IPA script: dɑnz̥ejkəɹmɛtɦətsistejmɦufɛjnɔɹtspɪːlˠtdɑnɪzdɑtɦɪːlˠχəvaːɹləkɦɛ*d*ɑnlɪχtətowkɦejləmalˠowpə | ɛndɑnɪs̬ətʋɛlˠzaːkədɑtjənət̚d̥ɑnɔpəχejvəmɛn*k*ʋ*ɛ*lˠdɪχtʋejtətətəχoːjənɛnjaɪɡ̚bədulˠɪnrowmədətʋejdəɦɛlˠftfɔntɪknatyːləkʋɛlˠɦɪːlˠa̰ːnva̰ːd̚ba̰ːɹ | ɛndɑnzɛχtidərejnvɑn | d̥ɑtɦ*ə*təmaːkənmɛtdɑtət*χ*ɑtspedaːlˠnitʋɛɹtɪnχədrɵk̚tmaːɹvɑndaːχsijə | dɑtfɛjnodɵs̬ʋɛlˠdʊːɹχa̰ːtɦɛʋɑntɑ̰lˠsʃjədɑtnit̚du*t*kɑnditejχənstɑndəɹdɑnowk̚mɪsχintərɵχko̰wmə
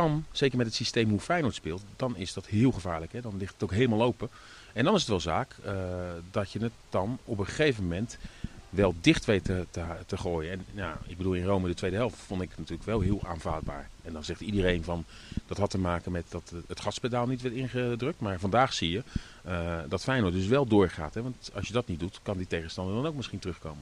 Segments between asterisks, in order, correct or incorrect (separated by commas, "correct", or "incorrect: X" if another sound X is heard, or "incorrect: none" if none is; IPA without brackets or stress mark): correct, incorrect: t, correct, incorrect: ɑ, correct, correct